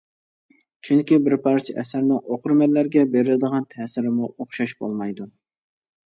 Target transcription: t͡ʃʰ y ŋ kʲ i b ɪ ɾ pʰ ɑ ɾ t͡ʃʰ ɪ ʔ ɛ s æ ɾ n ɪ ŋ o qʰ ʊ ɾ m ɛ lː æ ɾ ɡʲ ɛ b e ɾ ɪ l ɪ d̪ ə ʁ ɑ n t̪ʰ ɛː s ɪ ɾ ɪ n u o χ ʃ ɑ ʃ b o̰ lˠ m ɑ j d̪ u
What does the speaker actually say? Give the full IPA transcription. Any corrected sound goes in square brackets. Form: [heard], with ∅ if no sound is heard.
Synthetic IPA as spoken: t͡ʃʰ y ŋ kʲ i b ɪ ɾ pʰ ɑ ɾ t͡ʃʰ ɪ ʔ ɛ s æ ɾ n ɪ ŋ o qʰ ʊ ɾ m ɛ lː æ ɾ ɡʲ ɛ b e ɾ ɪ l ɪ d̪ ə ʁ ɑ n t̪ʰ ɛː s ɪ ɾ ɪ [m] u o χ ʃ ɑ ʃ b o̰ lˠ m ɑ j d̪ u

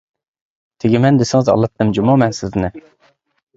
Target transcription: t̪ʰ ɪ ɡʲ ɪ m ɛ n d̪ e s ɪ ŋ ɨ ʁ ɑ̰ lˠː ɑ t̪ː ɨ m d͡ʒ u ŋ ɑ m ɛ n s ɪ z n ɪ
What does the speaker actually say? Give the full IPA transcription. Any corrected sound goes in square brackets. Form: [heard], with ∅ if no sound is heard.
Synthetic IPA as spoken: t̪ʰ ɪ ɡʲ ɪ m ɛ n d̪ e s ɪ ŋ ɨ [z] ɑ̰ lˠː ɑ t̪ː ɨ m d͡ʒ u [m] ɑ m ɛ n s ɪ z n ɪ

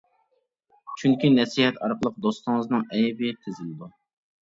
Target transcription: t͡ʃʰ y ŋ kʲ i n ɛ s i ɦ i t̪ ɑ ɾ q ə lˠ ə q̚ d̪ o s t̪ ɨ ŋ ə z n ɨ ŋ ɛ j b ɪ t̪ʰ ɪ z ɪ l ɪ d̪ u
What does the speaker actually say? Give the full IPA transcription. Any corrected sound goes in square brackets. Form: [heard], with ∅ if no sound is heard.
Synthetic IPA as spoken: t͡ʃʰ y ŋ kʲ i n ɛ s i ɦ [ɛ] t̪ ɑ ɾ q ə lˠ ə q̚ d̪ o s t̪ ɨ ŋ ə z n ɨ ŋ ɛ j b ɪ t̪ʰ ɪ z ɪ l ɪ d̪ u

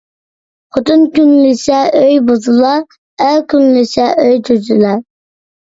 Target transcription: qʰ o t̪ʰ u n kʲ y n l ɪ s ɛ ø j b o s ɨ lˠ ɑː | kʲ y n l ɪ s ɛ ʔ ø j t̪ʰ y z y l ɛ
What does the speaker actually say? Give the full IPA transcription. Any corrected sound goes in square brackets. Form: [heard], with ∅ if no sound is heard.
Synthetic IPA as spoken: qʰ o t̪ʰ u n kʲ y n l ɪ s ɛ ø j b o [z] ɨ lˠ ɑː | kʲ y n l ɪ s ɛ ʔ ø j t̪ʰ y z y l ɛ

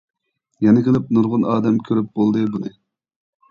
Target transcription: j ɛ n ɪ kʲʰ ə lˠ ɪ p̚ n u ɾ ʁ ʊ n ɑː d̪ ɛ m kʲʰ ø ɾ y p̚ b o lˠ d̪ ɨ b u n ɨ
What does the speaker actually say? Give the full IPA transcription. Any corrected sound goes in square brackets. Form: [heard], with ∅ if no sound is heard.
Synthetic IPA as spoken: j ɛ n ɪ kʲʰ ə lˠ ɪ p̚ n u ɾ ʁ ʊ n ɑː d̪ ɛ m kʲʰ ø ɾ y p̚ b o lˠ d̪ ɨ b u n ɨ

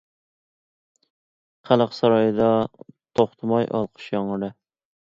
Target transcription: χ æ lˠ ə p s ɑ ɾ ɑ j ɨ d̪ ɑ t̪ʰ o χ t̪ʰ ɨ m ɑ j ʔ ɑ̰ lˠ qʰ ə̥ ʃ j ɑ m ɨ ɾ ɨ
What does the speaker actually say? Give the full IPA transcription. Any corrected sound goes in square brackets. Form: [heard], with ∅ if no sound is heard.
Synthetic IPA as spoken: χ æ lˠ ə [q] s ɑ ɾ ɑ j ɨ d̪ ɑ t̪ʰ o χ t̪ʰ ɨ m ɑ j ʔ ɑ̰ lˠ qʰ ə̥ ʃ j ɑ [ŋ] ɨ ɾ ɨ

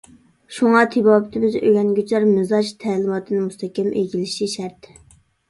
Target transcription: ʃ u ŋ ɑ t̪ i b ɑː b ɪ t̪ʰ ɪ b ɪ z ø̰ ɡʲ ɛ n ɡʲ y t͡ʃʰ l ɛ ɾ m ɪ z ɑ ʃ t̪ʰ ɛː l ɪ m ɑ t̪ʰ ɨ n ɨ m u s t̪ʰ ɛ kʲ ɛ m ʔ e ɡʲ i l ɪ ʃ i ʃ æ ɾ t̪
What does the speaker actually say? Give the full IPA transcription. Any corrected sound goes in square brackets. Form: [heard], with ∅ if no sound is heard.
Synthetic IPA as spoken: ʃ u ŋ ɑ [t̪ʰ] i b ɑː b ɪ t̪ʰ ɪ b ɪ z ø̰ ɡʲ ɛ n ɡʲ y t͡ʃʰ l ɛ ɾ m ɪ z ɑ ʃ t̪ʰ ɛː l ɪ m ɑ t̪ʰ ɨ n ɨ m u s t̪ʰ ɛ kʲ ɛ m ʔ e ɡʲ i l ɪ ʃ i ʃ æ ɾ t̪

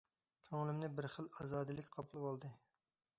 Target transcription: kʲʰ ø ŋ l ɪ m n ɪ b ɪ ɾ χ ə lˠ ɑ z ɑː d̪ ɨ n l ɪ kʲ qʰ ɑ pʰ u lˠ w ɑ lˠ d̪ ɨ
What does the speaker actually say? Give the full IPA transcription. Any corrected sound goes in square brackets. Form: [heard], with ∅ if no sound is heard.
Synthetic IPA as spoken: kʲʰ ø ŋ l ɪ m n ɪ b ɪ ɾ χ ə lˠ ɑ z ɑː d̪ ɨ [∅] l ɪ kʲ qʰ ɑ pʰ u lˠ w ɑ lˠ d̪ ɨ

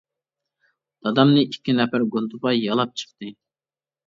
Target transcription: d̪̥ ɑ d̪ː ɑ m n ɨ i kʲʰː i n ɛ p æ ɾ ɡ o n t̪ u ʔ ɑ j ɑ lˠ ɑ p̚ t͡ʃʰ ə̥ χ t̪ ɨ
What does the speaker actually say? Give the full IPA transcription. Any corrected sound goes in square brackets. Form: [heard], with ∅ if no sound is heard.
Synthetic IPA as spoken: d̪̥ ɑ [d̪] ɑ m n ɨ i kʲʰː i n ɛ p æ ɾ ɡ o n t̪ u [p] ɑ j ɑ lˠ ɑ p̚ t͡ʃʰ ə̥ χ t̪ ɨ

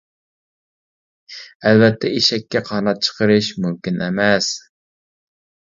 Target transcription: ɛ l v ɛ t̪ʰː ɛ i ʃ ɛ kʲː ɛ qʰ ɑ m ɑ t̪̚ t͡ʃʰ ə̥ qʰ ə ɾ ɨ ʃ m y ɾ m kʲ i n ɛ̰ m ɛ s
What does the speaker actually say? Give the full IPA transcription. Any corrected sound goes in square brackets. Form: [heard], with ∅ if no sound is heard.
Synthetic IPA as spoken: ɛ l v ɛ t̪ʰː ɛ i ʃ ɛ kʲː ɛ qʰ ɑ [n] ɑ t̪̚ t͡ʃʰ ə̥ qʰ ə ɾ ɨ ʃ m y [∅] m kʲ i n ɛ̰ m ɛ s

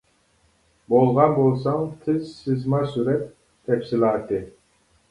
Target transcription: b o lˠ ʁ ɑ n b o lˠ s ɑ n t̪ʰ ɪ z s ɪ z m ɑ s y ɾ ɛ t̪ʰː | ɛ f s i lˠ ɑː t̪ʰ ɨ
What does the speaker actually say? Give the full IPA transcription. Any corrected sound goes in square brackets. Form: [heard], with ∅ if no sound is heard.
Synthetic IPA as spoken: b o lˠ ʁ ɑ n b o lˠ s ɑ [ŋ] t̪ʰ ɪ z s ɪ z m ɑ s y ɾ ɛ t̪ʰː | ɛ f s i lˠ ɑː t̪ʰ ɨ

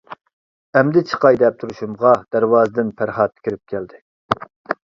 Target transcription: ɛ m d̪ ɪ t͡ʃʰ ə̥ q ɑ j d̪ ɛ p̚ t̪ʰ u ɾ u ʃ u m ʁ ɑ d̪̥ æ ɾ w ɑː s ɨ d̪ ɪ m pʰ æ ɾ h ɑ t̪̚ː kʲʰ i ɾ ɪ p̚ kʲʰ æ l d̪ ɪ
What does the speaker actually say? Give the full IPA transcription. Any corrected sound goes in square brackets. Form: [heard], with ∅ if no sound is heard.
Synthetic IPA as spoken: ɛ m d̪ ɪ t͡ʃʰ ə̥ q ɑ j d̪ ɛ p̚ t̪ʰ u ɾ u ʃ u m ʁ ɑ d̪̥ æ ɾ w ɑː [z] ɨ d̪ ɪ [n] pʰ æ ɾ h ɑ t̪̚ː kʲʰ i ɾ ɪ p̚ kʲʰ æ l d̪ ɪ

